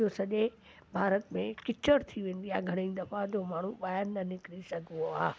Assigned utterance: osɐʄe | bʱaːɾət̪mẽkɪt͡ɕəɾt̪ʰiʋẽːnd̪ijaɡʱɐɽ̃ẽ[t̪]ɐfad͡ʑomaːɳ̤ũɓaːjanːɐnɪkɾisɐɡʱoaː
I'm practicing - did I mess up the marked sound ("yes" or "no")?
yes